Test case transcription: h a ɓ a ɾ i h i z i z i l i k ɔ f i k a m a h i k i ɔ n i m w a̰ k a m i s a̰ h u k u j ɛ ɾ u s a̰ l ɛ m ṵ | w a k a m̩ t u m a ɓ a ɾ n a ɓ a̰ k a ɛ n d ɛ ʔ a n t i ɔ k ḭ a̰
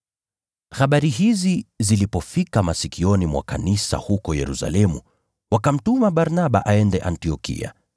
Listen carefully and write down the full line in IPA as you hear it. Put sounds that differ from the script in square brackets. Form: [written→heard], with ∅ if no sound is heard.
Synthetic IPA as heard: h a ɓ a ɾ i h i z i z i l i [k→p] ɔ f i k a m a [h→s] i k i ɔ n i m w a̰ k a [m→n] i s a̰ h u k [u→ɔ] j ɛ ɾ u s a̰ l ɛ m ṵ | w a k a m̩ t u m a ɓ a ɾ n a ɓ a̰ [k→ʔ] a ɛ n d ɛ ʔ a n t i ɔ k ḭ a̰